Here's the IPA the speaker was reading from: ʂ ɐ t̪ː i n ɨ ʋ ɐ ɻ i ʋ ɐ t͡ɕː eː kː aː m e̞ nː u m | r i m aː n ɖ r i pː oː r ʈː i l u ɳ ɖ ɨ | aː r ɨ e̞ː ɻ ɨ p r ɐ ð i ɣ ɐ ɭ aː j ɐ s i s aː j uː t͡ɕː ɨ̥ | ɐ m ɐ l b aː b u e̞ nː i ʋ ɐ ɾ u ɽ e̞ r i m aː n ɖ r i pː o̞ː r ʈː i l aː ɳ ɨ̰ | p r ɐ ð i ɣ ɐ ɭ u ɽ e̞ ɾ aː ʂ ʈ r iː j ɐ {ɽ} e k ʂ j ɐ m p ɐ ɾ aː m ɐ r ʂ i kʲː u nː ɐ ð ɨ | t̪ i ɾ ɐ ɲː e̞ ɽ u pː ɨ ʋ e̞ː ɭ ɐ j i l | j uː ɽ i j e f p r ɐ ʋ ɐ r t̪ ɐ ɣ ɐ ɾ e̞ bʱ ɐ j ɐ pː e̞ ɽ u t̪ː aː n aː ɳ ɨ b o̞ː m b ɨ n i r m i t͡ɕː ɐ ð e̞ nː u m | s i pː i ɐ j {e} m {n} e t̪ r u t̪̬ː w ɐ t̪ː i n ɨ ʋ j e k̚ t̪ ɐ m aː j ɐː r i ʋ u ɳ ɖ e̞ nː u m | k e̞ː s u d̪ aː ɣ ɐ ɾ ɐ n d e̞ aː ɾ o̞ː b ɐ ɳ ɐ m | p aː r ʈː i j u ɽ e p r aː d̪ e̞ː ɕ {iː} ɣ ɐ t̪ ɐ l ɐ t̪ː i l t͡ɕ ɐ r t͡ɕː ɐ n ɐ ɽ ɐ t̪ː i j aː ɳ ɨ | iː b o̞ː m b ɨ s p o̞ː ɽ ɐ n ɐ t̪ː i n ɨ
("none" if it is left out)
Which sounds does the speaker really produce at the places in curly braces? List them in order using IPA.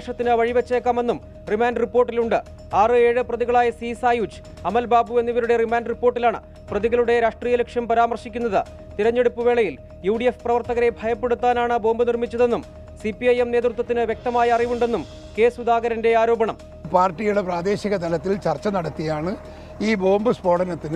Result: l, e, n, i

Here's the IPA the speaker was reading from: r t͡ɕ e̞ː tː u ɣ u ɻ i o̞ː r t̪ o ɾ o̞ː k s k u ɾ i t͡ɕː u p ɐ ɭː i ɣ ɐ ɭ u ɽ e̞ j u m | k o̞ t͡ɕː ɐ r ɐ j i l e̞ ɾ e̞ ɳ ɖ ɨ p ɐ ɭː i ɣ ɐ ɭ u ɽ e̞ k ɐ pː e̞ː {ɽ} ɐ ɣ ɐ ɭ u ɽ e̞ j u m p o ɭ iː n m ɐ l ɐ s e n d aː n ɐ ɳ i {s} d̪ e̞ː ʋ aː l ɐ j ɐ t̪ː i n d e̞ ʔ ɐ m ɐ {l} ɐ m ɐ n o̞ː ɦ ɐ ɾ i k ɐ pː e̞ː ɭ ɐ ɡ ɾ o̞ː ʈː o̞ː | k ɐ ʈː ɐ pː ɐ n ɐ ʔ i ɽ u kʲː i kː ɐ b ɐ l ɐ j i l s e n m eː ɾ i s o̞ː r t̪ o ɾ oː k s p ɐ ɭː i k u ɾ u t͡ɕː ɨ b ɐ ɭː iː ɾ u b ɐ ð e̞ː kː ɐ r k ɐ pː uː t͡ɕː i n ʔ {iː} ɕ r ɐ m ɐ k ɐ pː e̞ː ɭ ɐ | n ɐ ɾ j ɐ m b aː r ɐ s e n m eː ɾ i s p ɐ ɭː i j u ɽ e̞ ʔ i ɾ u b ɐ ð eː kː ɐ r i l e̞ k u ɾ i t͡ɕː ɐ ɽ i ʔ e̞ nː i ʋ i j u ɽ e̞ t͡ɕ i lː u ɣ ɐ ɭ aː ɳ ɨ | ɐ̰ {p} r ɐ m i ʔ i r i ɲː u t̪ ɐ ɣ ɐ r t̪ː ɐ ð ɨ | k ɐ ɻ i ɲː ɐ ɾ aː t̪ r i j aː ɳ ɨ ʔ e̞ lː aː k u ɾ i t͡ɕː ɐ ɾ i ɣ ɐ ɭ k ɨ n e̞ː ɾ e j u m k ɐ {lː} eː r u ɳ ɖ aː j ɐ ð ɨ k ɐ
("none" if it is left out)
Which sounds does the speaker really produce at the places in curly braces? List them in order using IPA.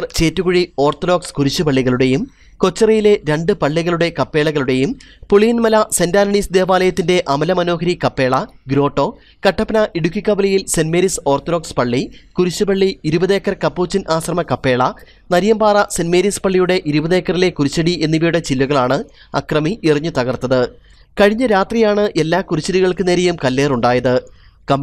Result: ɭ, s, l, aː, k, lː

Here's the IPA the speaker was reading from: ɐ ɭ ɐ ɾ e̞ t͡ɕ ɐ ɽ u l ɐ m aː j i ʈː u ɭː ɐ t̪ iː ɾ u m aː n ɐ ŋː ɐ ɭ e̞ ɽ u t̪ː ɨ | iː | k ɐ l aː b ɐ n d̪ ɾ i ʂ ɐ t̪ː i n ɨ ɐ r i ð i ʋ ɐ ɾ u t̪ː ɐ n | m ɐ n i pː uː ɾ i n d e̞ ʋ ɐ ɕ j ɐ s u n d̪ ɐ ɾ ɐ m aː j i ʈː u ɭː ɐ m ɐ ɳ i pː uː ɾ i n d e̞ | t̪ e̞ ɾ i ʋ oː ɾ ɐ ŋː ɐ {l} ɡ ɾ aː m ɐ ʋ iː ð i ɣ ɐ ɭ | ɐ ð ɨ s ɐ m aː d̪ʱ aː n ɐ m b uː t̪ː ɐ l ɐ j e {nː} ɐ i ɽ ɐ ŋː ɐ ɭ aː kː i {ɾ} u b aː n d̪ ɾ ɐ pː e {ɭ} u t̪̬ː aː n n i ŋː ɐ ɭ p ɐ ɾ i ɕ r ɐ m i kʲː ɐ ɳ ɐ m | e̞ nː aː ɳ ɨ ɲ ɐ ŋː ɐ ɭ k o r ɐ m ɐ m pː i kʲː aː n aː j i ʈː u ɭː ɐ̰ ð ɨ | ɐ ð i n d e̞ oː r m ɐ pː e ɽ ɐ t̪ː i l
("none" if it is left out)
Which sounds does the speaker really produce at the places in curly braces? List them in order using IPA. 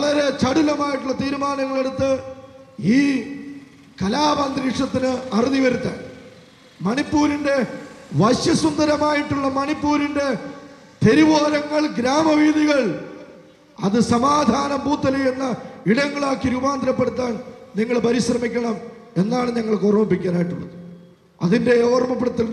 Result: ɭ, nː, ɾ, ɽ

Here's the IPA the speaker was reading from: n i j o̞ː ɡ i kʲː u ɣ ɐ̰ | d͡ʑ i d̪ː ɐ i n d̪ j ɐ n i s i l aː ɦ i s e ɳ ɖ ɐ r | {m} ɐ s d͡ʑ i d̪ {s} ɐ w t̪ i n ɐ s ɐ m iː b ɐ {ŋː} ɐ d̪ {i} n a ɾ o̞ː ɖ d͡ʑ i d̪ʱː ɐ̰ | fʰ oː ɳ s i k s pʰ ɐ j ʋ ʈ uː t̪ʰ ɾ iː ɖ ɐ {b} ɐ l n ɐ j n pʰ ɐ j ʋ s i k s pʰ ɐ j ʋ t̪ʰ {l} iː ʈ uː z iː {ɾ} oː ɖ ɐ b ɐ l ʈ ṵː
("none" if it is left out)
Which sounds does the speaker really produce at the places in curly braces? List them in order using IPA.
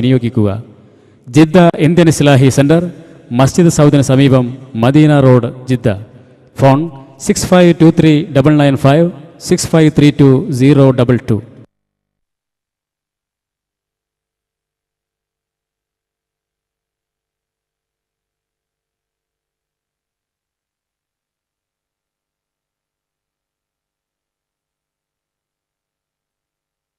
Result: m, s, mː, iː, b, ɾ, ɾ

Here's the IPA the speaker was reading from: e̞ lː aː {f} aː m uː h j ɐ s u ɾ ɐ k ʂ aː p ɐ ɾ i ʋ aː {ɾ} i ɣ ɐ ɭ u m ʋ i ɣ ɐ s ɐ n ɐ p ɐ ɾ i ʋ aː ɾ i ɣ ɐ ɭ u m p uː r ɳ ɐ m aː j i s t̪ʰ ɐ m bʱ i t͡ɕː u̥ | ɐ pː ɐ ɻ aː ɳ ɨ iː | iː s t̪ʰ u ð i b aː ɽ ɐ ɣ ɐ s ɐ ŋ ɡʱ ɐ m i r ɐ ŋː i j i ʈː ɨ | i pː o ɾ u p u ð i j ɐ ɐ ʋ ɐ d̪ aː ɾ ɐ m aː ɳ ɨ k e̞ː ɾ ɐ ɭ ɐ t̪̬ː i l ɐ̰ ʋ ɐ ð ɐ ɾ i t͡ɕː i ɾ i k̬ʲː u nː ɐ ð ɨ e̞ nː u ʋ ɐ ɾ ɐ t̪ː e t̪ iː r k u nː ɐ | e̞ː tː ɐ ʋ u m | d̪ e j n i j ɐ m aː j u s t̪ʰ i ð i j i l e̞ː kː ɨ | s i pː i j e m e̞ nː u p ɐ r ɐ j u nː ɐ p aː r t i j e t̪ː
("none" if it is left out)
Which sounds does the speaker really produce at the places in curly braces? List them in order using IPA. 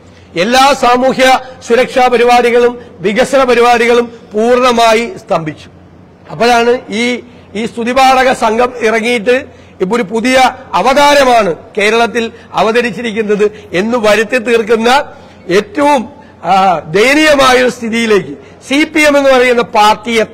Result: s, ɾ

